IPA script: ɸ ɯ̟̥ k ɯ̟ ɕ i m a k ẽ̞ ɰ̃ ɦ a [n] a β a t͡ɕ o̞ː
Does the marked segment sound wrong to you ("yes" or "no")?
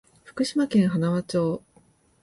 no